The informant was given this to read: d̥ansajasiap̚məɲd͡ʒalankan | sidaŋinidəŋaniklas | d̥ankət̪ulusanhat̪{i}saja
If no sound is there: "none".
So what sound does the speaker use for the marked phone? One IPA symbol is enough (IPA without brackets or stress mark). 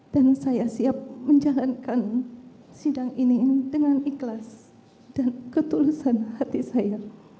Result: i